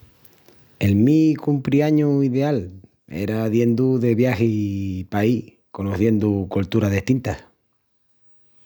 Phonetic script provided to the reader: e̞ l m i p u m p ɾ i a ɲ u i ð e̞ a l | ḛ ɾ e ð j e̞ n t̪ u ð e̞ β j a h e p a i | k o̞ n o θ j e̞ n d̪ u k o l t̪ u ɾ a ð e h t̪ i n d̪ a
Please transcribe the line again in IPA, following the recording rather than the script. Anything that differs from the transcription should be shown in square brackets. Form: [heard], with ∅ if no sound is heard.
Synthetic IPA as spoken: e̞ l m i [k] u m p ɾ i a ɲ u i ð e̞ a l | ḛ ɾ [a] ð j e̞ n [d̪] u ð e̞ β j a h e p a i | k o̞ n o θ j e̞ n d̪ u k o l t̪ u ɾ a ð e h t̪ i n [t̪] a